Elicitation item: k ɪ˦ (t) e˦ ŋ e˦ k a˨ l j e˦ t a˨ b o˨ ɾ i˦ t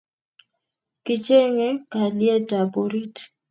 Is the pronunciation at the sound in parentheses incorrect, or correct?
incorrect: t͡ʃ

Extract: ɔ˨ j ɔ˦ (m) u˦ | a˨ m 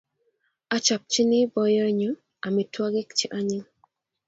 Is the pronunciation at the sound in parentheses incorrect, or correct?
incorrect: ɲ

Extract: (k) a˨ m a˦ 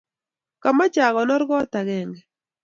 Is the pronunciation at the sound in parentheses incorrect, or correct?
correct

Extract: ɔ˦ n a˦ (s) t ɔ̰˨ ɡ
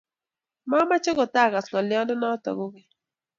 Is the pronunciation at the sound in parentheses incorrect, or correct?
incorrect: none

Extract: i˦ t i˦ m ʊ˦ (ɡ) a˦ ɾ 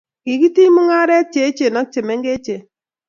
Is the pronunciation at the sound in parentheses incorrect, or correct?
incorrect: ŋ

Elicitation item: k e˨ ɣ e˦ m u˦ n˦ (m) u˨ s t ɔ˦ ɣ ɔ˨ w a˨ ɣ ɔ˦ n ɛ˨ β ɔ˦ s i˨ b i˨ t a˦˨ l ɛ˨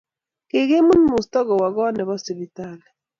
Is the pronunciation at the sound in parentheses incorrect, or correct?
correct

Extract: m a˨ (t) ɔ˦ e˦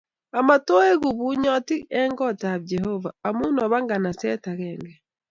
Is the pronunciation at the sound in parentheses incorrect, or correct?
correct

